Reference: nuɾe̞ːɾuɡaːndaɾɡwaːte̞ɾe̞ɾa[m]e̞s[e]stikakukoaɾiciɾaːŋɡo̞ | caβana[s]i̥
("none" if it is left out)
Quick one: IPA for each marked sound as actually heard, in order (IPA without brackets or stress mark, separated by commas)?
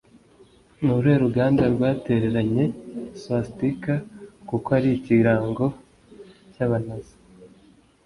ɲ, a, z